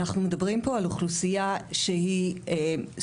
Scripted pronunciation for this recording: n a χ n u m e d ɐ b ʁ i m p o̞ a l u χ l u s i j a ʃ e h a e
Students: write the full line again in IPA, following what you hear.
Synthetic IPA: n a χ n u m e d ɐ b ʁ i m p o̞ a l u χ l u s i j a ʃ e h i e